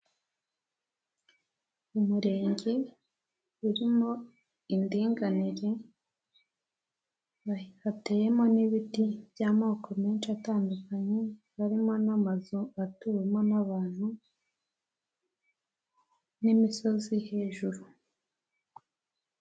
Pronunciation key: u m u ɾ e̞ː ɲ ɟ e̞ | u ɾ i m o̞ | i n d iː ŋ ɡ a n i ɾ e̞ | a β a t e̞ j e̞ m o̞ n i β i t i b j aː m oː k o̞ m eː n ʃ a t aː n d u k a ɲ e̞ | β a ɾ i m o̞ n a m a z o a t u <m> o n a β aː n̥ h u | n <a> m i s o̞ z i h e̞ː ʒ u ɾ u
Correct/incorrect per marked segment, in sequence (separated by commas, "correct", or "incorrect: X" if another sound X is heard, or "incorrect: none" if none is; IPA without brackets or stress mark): correct, incorrect: i